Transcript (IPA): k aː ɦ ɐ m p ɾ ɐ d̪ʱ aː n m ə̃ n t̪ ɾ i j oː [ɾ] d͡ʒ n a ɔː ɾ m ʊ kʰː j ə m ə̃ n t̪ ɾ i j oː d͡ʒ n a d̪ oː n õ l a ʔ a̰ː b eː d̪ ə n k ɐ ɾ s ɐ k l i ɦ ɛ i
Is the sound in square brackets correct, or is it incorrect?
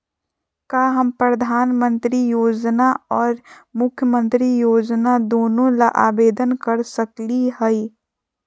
incorrect